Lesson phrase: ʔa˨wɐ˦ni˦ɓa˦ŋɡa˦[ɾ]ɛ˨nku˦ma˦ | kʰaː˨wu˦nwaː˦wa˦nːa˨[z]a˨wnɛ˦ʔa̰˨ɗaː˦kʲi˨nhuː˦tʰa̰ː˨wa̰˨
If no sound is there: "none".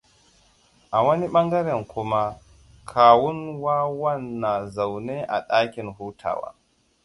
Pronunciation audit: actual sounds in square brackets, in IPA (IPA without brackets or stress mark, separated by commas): ɾ, z